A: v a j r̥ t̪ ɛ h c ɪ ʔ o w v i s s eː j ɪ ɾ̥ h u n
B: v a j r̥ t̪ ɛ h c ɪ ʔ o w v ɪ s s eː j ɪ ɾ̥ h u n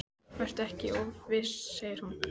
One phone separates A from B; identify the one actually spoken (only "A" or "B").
B